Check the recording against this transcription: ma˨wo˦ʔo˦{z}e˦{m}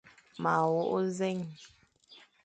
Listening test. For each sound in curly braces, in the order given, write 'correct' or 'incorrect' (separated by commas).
correct, incorrect